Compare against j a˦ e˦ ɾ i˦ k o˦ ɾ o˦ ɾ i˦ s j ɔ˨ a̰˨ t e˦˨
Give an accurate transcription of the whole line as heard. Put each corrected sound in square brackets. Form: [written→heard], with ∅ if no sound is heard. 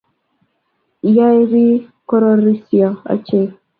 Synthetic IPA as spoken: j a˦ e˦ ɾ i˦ k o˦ ɾ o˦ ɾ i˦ s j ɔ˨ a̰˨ [t→t͡ʃ] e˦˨

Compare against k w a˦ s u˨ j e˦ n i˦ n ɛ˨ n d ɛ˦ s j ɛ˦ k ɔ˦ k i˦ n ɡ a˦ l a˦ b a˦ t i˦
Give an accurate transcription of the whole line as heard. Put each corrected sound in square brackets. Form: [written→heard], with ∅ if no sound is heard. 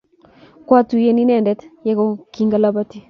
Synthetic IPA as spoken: k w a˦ [s→t] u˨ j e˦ n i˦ n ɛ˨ n d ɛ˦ [s→t] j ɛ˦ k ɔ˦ k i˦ [n→ŋ] ɡ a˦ l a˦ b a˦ t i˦

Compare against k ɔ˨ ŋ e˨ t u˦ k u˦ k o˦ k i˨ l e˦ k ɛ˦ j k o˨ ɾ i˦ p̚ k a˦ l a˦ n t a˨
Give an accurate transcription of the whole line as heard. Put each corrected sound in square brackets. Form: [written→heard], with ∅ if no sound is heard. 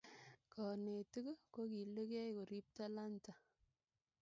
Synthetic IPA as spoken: k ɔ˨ [ŋ→n] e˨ t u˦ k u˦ k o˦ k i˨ l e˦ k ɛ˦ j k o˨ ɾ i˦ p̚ [k→t] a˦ l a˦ n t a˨

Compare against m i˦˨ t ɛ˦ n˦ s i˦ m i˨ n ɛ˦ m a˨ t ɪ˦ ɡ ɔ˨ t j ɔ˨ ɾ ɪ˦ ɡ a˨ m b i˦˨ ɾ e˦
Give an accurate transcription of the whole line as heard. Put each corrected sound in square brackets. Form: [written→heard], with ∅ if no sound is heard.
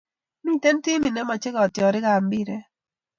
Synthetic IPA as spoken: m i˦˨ t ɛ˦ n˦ [s→t] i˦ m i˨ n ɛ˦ m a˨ [t→t͡ʃ] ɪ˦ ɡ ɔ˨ t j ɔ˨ ɾ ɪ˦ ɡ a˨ m b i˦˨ ɾ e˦

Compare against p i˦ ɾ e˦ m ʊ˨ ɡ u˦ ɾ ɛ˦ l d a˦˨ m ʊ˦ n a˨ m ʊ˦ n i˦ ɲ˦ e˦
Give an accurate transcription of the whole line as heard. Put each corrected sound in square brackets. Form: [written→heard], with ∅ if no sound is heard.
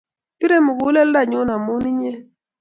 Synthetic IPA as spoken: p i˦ ɾ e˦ m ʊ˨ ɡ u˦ [ɾ→l] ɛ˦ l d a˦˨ [m→ɲ] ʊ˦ n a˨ m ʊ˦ n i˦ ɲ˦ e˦

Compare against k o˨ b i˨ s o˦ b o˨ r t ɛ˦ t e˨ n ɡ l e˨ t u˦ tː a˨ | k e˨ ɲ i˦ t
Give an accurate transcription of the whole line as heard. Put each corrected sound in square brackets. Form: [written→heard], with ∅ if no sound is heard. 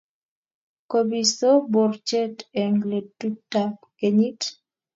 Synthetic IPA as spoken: k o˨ b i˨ s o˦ b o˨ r [t→t͡ʃ] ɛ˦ t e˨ [n→ŋ] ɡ l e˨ t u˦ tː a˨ | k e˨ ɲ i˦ t

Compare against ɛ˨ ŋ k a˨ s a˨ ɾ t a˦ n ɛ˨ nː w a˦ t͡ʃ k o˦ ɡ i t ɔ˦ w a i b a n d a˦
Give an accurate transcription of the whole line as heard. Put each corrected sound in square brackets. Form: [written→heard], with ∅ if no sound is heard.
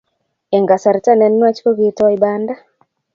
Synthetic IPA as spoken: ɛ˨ ŋ [k→ɡ] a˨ s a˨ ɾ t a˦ n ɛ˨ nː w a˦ t͡ʃ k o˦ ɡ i t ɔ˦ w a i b a n d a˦

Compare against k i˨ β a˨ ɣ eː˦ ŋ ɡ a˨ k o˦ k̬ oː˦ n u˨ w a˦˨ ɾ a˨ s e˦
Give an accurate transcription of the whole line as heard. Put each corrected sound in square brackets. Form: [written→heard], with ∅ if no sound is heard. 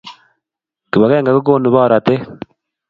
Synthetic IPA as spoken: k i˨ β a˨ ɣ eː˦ ŋ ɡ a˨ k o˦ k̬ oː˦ n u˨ [w→β] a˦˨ ɾ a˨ [s→t] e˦

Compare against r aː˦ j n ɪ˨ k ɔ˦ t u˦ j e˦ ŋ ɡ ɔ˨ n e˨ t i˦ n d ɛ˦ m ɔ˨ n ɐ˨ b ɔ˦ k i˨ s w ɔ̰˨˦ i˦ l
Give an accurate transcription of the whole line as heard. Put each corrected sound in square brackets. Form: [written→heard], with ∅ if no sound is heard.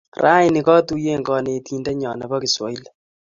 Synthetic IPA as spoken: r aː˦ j n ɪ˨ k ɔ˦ t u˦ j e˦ ŋ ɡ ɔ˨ n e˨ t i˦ n d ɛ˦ [m→ɲ] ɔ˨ n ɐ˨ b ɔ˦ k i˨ s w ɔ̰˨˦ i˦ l

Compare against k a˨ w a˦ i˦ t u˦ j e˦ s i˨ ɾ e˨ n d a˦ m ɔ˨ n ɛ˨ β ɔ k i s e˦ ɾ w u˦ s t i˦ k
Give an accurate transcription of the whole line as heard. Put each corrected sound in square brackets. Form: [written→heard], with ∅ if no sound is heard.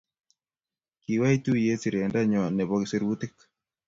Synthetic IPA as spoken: k [a˨→i˨] w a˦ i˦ t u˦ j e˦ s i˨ ɾ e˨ n d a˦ [m→ɲ] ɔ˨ n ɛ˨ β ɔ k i s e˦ ɾ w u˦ [s→∅] t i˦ k

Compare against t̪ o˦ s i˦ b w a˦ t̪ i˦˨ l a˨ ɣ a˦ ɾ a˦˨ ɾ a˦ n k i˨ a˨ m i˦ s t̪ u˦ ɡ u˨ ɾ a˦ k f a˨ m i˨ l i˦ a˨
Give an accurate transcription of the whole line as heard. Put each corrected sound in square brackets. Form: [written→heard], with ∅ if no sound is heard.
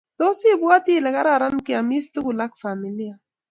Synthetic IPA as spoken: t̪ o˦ s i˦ b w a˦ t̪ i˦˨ l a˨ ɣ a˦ ɾ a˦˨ ɾ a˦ n k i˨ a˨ m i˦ s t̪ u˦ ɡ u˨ [ɾ→l] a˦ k f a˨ m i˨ l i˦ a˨

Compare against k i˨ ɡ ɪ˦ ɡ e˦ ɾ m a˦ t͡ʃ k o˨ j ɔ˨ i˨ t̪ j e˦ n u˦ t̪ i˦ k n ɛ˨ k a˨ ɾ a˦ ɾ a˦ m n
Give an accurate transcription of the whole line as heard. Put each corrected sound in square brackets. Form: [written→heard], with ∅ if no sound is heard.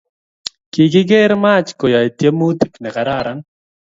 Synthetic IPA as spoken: k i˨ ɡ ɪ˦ ɡ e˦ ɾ m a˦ t͡ʃ k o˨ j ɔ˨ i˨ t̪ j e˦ [n→m] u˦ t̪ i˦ k n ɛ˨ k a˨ ɾ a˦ ɾ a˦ [m→∅] n

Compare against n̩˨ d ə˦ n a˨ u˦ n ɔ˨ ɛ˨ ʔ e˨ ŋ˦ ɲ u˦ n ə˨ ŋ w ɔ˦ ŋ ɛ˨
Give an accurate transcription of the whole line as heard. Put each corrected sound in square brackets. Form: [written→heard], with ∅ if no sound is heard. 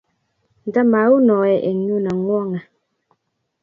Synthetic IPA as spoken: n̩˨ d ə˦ [n→m] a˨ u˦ n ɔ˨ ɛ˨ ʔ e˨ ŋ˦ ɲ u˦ n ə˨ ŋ w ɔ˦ ŋ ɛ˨

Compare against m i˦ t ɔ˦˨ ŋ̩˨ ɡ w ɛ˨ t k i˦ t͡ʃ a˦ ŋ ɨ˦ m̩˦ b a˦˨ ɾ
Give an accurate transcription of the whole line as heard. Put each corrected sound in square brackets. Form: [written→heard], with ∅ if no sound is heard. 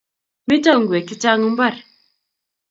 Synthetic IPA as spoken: m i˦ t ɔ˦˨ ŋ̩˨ ɡ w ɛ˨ [t→∅] k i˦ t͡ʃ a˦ ŋ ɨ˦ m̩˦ b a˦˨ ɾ

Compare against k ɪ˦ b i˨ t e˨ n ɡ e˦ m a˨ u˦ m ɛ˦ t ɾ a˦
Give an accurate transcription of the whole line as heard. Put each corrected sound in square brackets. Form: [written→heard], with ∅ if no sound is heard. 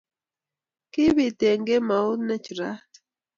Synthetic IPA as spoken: k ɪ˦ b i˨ t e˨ [n→ŋ] ɡ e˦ m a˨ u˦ [m→n] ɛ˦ [t→t͡ʃ] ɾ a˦

